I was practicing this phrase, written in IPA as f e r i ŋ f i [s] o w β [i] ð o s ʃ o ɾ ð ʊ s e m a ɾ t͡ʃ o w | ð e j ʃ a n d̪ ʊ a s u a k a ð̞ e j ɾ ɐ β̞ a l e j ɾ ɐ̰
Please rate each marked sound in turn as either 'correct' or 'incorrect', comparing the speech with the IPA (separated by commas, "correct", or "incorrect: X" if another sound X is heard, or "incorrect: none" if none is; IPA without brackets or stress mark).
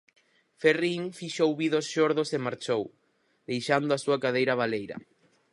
incorrect: ʃ, correct